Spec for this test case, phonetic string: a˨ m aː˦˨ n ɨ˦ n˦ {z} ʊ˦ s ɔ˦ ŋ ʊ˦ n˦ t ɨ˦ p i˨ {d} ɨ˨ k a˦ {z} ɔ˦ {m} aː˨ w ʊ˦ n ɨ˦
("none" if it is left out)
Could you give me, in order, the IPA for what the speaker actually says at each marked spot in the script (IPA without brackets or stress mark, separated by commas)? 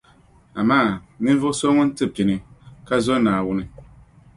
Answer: v, n, z, n